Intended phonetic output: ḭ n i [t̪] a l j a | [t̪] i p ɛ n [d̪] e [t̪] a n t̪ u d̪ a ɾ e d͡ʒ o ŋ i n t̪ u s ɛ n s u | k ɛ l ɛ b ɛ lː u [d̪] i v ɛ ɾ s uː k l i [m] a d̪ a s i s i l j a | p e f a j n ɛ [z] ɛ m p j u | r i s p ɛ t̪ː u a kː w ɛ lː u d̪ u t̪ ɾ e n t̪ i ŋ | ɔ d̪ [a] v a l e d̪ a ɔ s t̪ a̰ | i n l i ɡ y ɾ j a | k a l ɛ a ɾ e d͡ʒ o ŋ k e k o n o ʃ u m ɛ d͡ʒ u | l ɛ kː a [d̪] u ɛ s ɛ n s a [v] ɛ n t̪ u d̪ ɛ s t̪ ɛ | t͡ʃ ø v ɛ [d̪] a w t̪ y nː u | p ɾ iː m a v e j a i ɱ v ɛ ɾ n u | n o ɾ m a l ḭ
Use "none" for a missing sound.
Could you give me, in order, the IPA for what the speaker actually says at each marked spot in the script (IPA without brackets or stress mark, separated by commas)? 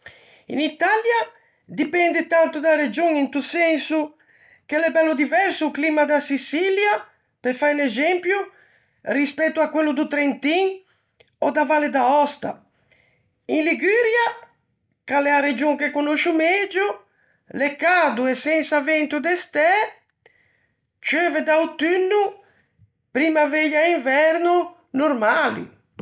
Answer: t̪, d̪, d̪, t̪, d̪, m, z, a, d̪, v, d̪